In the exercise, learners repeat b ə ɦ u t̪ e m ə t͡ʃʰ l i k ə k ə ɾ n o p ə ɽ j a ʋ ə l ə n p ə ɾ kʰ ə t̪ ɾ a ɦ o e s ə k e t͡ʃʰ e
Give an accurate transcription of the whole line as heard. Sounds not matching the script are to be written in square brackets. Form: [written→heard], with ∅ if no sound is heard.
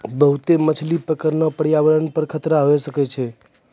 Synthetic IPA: b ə ɦ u t̪ e m ə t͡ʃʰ l i [k→p] ə k ə ɾ n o p ə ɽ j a ʋ ə [l→ɾ] ə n p ə ɾ kʰ ə t̪ ɾ a ɦ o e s ə k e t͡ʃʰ e

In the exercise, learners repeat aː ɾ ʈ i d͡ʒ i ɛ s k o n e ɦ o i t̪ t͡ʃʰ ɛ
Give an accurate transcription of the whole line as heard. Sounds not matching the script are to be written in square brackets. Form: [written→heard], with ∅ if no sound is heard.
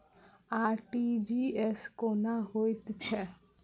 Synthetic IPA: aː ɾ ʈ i d͡ʒ i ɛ s k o n [e→a] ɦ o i t̪ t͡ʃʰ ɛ

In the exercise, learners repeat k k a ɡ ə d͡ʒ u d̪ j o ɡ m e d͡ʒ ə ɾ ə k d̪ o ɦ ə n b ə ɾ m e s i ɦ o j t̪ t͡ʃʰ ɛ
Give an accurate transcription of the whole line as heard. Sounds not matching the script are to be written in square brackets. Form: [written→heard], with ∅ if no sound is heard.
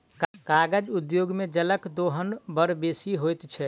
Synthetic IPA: k k a ɡ ə d͡ʒ u d̪ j o ɡ m e d͡ʒ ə [ɾ→l] ə k d̪ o ɦ ə n b ə ɾ [m→b] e s i ɦ o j t̪ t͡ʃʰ ɛ

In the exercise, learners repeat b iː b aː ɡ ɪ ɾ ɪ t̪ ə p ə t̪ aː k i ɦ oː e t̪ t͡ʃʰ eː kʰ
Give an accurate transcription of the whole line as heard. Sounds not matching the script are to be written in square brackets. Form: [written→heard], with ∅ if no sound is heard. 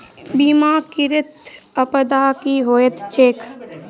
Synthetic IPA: b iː [b→m] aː [ɡ→k] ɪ ɾ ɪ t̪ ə p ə [t̪→d̪] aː k i ɦ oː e t̪ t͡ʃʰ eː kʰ

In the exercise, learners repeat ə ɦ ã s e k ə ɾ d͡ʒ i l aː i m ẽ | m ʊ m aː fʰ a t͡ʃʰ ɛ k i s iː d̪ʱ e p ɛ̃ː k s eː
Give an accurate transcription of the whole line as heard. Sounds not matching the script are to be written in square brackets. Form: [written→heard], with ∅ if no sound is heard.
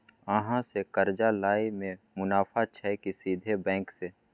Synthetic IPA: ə ɦ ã s e k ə ɾ d͡ʒ [i→a] l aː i m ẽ | m ʊ [m→n] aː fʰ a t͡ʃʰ ɛ k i s iː d̪ʱ e [p→b] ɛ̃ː k s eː

